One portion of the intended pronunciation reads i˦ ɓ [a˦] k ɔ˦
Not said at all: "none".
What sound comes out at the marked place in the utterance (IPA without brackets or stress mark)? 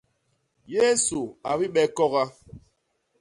ɛ˦